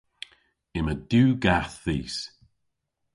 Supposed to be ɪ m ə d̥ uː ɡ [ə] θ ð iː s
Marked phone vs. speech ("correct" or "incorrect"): incorrect